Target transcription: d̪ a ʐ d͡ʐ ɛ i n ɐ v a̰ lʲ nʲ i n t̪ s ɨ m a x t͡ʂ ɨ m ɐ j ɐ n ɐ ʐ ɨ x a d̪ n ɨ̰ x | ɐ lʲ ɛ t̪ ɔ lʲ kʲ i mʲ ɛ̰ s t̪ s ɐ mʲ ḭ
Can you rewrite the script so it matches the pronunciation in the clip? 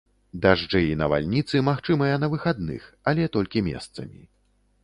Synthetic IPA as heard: d̪ a ʐ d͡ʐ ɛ i n ɐ v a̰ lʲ nʲ i t̪ s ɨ m a x t͡ʂ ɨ m ɐ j ɐ n ɐ v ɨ x a d̪ n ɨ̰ x | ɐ lʲ ɛ t̪ ɔ lʲ kʲ i mʲ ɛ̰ s t̪ s ɐ mʲ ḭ